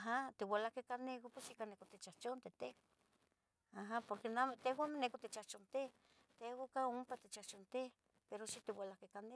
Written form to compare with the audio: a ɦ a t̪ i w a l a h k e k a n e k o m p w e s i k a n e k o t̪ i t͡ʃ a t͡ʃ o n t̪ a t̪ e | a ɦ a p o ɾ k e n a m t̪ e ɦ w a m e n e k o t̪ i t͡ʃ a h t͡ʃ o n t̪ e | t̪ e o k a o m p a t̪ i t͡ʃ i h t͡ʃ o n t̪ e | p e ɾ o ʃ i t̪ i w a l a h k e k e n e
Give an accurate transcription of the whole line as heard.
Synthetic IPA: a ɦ a t̪ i w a l a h k e k a n e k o p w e s i k a n e k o t̪ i t͡ʃ a t͡ʃ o n t̪ e t̪ e | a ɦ a p o ɾ k e n a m t̪ e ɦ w a m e n e k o t̪ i t͡ʃ a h t͡ʃ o n t̪ e | t̪ e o k a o m p a t̪ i t͡ʃ a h t͡ʃ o n t̪ e | p e ɾ o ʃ i t̪ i w a l a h k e k a n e

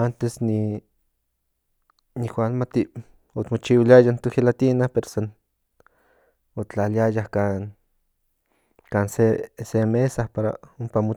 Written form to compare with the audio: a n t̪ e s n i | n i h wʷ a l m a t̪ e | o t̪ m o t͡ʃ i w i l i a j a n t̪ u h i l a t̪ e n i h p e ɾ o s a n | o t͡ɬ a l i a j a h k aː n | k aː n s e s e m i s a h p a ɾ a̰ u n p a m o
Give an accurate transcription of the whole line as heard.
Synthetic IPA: a n t̪ e s n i | n i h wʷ a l m a t̪ i | o t̪ m o t͡ʃ i w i l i a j a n t̪ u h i l a t̪ i n a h p e ɾ o s a n | o t͡ɬ a l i a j a h k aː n | k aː n s e s e m e s a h p a ɾ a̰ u m p a m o

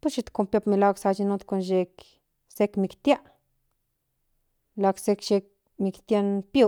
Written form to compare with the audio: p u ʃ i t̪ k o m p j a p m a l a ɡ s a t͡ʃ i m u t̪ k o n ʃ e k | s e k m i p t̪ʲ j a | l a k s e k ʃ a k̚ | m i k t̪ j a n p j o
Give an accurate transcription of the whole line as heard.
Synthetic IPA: p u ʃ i t̪ k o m p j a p m i l a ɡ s a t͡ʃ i n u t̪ k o n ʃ e k | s e k m i k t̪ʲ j a | l a k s e k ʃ e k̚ | m i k t̪ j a n p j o

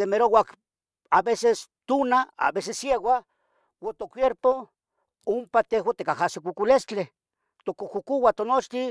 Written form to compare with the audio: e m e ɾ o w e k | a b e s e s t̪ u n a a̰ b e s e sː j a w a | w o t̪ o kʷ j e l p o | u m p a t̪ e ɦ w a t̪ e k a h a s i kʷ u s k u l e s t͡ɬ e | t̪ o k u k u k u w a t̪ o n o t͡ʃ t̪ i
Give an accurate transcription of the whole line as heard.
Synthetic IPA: e m e ɾ o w a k | a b e s e s t̪ u n a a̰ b e s e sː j e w a | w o t̪ o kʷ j e ɾ p o | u m p a t̪ e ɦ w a t̪ e k a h a s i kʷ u k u l e s t͡ɬ e | t̪ o k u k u k u w a t̪ o n o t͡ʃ t̪ i

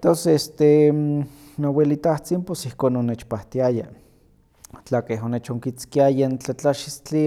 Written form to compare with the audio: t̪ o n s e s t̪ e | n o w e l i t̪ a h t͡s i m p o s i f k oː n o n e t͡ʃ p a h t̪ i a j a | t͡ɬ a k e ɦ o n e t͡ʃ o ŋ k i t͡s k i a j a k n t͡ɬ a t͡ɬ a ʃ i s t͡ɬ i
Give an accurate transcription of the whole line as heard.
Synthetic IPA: t̪ o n s e s t̪ e | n o w e l i t̪ a h t͡s i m p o s i h k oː n o n e t͡ʃ p a h t̪ i a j a | t͡ɬ a k e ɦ o n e t͡ʃ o ŋ k i t͡s k i a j a n t͡ɬ a t͡ɬ a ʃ i s t͡ɬ i

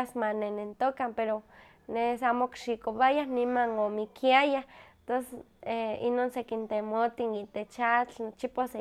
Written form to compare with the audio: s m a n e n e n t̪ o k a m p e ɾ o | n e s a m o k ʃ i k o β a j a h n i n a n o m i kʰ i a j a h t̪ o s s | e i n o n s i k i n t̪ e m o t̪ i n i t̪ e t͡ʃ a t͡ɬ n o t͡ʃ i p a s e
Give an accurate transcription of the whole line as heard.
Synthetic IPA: s m a n e n e n t̪ o k a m p e ɾ o | n e s a m o k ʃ i k o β a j a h n i m a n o m i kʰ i a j a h t̪ o s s | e i n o n s e k i n t̪ e m o t̪ i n i t̪ e t͡ʃ a t͡ɬ n o t͡ʃ i p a s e

